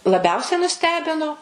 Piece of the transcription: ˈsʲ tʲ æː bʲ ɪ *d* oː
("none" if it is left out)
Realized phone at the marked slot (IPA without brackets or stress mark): n